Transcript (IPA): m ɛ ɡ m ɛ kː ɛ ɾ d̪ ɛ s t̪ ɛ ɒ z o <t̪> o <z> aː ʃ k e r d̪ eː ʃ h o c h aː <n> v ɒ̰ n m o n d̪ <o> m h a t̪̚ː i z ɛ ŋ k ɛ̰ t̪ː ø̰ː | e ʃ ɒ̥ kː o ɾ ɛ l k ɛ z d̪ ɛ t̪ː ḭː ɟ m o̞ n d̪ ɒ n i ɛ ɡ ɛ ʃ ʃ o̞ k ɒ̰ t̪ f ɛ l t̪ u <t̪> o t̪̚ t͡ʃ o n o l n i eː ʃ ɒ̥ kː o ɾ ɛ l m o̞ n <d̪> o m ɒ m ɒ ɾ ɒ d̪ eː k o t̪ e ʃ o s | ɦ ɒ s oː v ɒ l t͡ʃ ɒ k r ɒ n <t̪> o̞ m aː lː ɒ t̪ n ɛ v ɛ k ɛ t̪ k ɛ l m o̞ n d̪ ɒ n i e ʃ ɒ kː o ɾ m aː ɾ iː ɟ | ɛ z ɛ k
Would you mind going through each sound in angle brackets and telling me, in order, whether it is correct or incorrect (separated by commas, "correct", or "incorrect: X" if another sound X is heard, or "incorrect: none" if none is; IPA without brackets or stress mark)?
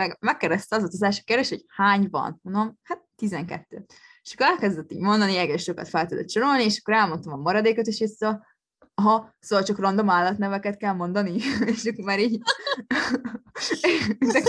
correct, correct, incorrect: ɲ, correct, incorrect: d̪, incorrect: t̪, incorrect: d̪